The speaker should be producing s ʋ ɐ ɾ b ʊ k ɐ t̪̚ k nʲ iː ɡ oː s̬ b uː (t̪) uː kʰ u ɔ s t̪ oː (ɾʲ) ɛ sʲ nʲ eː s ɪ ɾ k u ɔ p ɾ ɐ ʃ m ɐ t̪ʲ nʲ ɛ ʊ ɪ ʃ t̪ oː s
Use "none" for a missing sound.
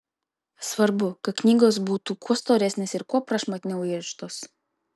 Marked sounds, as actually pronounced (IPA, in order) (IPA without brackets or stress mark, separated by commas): t̪, ɾʲ